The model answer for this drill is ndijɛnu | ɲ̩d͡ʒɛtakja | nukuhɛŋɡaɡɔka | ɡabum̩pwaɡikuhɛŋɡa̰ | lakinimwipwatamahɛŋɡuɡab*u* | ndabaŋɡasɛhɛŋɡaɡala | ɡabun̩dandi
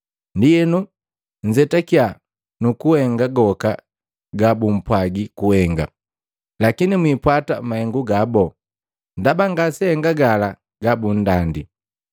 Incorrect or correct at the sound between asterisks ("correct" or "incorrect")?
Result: incorrect